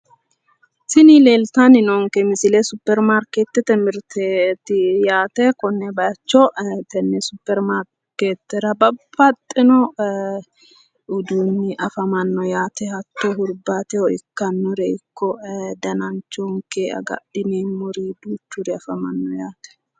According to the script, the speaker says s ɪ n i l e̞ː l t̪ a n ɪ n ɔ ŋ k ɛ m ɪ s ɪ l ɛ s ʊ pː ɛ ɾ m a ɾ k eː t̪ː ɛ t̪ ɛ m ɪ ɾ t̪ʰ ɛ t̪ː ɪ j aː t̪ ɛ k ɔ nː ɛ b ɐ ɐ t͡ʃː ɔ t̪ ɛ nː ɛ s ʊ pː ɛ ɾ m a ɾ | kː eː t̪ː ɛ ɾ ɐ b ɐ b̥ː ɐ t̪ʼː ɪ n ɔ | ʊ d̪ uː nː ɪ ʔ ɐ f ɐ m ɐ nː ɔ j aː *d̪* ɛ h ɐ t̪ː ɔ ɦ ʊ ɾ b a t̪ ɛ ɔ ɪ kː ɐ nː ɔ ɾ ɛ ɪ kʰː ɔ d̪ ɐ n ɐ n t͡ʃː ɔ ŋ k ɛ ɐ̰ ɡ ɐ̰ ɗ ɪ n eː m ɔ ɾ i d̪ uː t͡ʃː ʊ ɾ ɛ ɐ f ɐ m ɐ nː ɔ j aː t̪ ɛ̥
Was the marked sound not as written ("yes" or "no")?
yes